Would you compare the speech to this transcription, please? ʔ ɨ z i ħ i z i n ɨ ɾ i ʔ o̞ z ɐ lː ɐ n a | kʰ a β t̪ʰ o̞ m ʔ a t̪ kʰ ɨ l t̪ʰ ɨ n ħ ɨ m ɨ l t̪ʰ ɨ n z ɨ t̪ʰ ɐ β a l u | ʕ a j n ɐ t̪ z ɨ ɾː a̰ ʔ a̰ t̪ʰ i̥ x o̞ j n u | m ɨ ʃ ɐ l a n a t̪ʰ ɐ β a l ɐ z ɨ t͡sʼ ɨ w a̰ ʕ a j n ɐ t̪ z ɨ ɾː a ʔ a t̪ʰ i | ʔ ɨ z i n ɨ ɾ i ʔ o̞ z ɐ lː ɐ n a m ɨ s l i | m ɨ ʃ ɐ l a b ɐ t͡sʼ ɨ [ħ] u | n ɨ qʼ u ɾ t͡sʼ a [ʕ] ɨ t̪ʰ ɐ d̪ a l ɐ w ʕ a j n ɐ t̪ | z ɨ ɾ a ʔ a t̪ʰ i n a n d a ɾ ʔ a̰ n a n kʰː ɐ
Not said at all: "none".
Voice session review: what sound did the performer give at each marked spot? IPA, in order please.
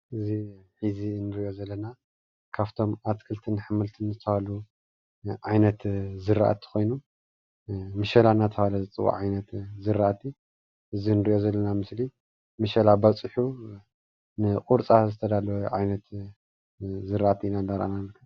ħ, z

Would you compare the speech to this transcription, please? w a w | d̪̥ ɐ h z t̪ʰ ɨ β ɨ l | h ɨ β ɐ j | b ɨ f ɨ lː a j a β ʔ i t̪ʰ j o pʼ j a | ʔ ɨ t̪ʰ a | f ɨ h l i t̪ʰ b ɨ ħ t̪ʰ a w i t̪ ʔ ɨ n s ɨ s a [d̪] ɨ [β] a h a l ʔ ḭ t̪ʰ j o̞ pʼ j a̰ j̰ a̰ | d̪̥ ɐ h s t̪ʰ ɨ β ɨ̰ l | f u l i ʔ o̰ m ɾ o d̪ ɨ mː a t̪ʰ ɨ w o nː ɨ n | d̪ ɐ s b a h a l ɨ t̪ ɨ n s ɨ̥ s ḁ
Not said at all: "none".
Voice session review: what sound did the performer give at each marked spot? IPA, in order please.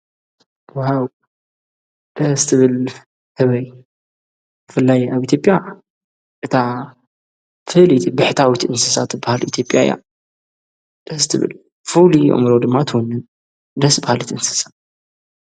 t̪, b

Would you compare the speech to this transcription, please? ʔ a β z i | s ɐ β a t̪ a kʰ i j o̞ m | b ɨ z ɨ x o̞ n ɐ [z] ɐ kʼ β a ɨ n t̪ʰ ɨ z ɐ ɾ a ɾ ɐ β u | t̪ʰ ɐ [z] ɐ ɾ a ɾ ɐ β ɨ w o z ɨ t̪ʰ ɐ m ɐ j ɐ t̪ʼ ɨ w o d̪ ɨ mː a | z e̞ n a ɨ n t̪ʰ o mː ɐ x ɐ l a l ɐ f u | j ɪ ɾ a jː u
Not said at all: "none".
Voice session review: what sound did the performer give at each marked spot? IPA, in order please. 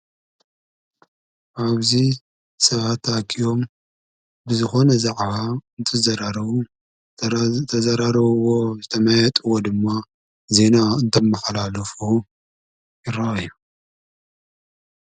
z, z

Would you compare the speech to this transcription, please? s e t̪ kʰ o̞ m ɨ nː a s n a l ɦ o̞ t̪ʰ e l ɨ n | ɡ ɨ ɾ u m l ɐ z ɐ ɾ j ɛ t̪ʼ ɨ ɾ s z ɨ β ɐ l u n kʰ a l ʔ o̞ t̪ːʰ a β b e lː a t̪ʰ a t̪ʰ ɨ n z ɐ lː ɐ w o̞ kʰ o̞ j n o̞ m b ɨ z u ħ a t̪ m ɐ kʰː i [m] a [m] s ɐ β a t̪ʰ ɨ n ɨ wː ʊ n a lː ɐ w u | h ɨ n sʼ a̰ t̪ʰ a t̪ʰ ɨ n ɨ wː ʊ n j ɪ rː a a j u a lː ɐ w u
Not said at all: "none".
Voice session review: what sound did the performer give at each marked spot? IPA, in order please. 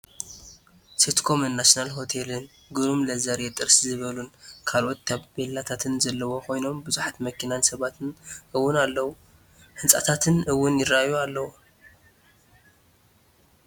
n, n

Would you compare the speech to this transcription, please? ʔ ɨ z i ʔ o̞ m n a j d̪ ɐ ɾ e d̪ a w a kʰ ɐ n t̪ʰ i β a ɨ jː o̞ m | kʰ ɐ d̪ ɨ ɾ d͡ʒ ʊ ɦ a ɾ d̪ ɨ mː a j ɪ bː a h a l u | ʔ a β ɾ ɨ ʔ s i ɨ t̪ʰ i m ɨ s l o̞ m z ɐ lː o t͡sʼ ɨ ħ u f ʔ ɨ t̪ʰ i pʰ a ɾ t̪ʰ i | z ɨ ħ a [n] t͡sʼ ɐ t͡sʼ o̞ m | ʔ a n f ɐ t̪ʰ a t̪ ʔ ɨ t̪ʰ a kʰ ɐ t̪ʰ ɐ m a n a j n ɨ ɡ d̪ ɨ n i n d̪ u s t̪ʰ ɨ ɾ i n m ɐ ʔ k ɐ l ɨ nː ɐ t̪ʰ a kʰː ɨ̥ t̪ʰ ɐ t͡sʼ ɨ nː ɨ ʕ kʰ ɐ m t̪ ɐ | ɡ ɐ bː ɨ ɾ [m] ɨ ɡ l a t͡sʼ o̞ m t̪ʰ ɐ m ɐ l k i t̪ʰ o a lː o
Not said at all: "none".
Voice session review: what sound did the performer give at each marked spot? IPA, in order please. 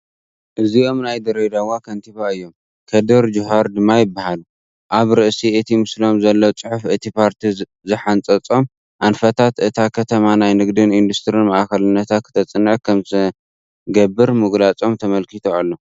n, m

